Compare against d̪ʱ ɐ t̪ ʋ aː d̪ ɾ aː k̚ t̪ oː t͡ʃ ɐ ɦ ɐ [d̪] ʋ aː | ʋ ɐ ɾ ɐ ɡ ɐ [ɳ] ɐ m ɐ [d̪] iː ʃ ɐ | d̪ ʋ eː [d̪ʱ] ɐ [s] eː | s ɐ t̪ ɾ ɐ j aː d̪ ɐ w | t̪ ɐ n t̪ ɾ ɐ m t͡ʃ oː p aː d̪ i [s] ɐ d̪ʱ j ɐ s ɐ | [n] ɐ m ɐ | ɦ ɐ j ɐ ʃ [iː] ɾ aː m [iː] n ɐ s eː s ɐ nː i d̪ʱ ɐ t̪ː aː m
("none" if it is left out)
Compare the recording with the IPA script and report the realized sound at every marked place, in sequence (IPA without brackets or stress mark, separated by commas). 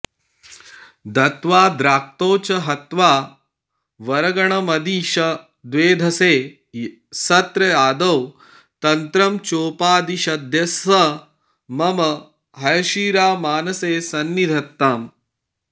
t̪, ɳ, d̪, d̪ʱ, s, ʃ, m, iː, aː